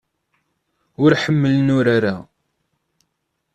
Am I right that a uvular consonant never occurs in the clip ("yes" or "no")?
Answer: yes